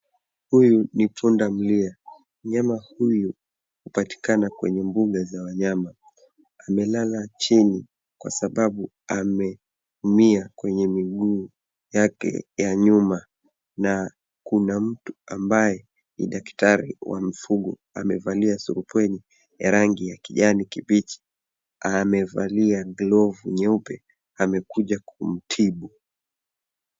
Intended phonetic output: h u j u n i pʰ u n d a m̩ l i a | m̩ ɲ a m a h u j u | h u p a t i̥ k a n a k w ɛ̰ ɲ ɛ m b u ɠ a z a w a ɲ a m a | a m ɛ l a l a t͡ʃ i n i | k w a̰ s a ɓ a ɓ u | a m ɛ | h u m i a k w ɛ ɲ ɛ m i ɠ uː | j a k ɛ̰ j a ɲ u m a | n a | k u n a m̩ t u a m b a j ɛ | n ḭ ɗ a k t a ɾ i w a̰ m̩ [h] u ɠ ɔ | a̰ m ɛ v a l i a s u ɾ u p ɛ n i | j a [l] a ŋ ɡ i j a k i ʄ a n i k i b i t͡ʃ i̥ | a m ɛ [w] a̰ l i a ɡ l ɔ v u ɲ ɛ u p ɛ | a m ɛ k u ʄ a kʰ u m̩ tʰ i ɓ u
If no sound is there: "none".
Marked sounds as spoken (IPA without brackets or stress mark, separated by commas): f, ɾ, v